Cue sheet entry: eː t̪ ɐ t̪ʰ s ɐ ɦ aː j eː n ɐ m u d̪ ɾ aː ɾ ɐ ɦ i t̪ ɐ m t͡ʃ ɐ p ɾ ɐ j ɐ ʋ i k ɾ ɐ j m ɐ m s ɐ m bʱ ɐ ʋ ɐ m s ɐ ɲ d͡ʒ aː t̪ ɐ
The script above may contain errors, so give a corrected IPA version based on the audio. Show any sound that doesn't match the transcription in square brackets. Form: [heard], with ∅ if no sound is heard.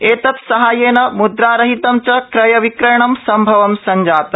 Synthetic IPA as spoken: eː t̪ ɐ [t̪] s ɐ ɦ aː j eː n ɐ m u d̪ ɾ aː ɾ ɐ ɦ i t̪ ɐ m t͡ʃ ɐ [k] ɾ ɐ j ɐ ʋ i k ɾ ɐ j [ɳ] ɐ m s ɐ m bʱ ɐ ʋ ɐ m s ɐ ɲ d͡ʒ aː t̪ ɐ